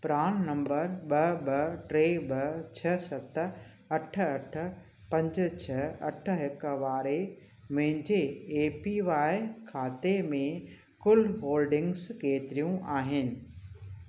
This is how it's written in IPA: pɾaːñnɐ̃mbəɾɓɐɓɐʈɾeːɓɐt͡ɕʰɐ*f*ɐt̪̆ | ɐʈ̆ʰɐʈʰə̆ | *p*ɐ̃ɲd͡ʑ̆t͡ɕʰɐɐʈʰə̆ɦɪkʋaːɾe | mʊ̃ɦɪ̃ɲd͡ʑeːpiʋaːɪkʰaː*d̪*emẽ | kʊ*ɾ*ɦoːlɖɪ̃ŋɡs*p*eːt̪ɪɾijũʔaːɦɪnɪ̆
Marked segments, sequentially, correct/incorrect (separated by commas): incorrect, correct, incorrect, incorrect, incorrect